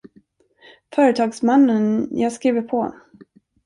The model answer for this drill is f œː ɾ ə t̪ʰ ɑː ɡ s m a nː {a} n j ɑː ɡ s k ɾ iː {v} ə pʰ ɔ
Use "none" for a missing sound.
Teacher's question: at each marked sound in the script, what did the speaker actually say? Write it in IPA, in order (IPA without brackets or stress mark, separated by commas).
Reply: ə, v